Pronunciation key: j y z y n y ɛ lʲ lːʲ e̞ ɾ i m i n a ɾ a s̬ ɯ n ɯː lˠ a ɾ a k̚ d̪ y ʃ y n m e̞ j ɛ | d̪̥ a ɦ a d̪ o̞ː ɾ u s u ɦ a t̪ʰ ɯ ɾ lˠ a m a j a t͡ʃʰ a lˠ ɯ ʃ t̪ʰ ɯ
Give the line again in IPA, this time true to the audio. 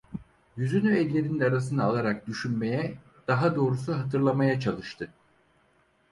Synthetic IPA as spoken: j y z y n y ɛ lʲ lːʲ e̞ ɾ i n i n a ɾ a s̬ ɯ n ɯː lˠ a ɾ a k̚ d̪ y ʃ y n m e̞ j ɛ | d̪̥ a ɦ a d̪ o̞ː ɾ u s u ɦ a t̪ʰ ɯ ɾ lˠ a m a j a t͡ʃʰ a lˠ ɯ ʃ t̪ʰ ɯ